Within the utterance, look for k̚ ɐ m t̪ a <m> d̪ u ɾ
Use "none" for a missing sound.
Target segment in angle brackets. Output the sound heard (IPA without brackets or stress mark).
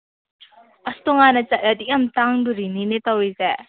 ŋ